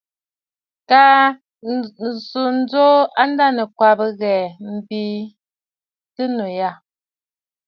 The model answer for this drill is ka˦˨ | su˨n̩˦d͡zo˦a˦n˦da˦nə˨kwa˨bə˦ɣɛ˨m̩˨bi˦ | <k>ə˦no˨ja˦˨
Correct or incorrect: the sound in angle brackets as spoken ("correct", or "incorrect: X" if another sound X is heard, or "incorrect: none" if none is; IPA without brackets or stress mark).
incorrect: t